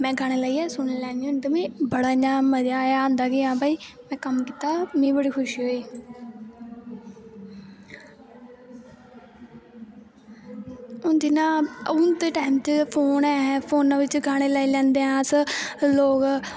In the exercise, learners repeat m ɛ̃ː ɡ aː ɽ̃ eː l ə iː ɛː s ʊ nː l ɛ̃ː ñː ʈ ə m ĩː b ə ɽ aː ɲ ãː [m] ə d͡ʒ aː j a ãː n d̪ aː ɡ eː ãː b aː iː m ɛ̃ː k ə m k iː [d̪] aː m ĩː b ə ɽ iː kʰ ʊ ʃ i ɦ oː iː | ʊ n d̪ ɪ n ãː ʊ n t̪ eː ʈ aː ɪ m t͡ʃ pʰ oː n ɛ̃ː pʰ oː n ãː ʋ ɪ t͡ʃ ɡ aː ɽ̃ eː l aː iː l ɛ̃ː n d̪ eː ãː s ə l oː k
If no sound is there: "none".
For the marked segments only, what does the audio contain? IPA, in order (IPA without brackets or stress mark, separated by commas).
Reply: m, t̪